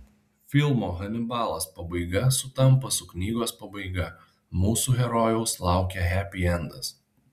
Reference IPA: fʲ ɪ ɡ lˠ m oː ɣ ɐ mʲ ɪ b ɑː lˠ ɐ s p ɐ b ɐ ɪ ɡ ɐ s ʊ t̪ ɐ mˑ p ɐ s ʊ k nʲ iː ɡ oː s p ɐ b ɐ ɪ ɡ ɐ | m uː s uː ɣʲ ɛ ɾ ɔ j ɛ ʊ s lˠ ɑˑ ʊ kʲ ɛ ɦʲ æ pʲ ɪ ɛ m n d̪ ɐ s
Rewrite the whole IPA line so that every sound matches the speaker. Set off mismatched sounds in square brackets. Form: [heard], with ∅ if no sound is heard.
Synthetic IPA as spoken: fʲ ɪ [∅] lˠ m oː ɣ ɐ [nʲ] ɪ b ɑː lˠ ɐ s p ɐ b ɐ ɪ ɡ ɐ s ʊ t̪ ɐ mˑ p ɐ s ʊ k nʲ iː ɡ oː s p ɐ b ɐ ɪ ɡ ɐ | m uː s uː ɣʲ ɛ ɾ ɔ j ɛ ʊ s lˠ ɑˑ ʊ kʲ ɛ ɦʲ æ pʲ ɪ ɛ [∅] n d̪ ɐ s